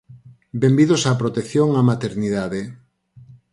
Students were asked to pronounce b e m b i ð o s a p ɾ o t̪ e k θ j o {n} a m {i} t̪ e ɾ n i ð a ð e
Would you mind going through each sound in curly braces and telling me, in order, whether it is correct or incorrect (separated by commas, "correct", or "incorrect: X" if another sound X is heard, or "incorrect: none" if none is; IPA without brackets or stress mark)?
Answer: incorrect: ŋ, incorrect: a